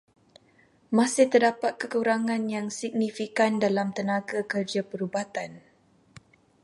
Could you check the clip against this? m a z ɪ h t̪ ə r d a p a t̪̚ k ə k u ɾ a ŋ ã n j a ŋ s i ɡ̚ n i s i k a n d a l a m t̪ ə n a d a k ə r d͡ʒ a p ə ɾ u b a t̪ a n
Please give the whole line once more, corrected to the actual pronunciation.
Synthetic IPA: m a s ɪ h t̪ ə r d a p a t̪̚ k ə k u ɾ a ŋ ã n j a ŋ s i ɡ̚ n i f i k a n d a l a m t̪ ə n a ɡ a k ə r d͡ʒ a p ə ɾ u b a t̪ a n

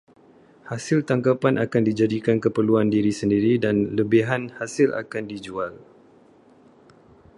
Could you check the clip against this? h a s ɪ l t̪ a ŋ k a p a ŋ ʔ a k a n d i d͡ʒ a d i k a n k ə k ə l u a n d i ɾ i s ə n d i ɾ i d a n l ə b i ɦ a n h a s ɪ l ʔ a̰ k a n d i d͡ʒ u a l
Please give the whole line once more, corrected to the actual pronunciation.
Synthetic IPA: h a s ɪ l t̪ a ŋ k a p a n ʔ a k a n d i d͡ʒ a d i k a n k ə p ə l u a n d i ɾ i s ə n d i ɾ i d a n l ə b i ɦ a n h a s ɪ l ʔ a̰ k a n d i d͡ʒ u a l

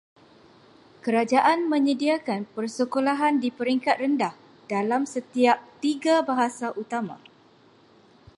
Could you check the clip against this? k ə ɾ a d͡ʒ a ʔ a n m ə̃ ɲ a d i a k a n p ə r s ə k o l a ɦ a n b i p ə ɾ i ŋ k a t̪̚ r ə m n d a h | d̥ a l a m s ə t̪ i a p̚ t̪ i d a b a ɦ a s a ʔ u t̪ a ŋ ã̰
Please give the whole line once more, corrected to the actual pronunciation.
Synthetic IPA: k ə ɾ a d͡ʒ a ʔ a n m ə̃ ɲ ə d i a k a n p ə r s ə k o l a ɦ a n d i p ə ɾ i ŋ k a t̪̚ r ə n d a h | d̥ a l a m s ə t̪ i a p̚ t̪ i ɡ a b a ɦ a s a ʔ u t̪ a m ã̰

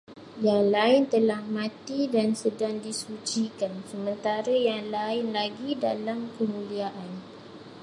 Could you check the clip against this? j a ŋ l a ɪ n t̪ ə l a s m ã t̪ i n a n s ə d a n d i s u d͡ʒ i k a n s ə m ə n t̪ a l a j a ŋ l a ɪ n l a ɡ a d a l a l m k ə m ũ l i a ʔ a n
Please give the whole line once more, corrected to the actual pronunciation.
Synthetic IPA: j a ŋ l a ɪ n t̪ ə l a h m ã t̪ i d a n s ə d a ŋ d i s u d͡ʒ i k a n s ə m ə n t̪ a ɾ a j a ŋ l a ɪ n l a ɡ i d a l a m k ə m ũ l i a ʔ a n

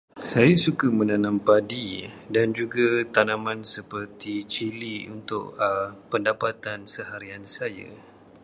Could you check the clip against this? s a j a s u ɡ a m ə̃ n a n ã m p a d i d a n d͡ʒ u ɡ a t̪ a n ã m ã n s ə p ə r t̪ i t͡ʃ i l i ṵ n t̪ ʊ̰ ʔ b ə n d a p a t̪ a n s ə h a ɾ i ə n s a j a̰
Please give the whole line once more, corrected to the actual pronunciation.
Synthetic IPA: s a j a s u k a m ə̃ n a n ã m p a d i d a n d͡ʒ u ɡ a t̪ a n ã m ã n s ə p ə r t̪ i t͡ʃ i l i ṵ n t̪ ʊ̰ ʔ p ə n d a p a t̪ a n s ə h a ɾ i a n s a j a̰

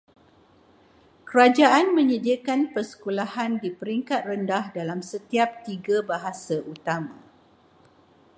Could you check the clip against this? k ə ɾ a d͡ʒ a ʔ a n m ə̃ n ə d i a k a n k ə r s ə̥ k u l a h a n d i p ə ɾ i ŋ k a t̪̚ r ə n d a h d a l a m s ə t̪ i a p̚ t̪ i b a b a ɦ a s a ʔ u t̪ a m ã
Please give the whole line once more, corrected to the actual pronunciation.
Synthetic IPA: k ə ɾ a d͡ʒ a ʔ a n m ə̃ ɲ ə d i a k a n p ə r s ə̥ k u l a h a n d i p ə ɾ i ŋ k a t̪̚ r ə n d a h d a l a m s ə t̪ i a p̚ t̪ i ɡ a b a ɦ a s a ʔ u t̪ a m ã

